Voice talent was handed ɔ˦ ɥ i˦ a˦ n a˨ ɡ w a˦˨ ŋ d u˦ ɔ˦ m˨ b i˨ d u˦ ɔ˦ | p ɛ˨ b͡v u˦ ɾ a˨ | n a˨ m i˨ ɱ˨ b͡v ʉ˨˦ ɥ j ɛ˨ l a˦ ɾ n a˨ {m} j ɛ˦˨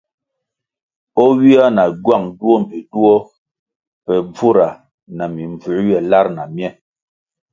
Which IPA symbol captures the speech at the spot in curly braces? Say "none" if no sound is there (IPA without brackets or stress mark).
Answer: m